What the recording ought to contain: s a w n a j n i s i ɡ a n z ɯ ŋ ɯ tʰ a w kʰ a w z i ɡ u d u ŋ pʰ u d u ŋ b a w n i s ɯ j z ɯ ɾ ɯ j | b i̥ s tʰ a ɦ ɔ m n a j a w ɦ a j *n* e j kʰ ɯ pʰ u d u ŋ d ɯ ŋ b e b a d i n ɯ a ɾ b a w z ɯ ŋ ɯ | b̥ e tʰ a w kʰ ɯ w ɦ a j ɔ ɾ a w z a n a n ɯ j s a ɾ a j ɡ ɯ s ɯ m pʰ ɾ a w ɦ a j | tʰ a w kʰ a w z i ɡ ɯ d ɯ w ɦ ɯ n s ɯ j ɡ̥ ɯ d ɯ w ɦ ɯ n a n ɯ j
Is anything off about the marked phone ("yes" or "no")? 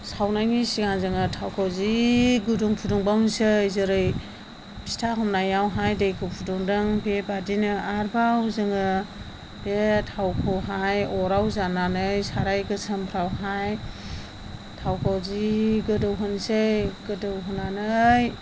yes